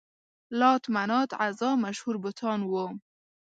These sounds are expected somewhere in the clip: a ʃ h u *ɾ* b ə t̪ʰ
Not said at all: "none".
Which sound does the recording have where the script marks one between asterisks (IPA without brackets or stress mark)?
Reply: ɾ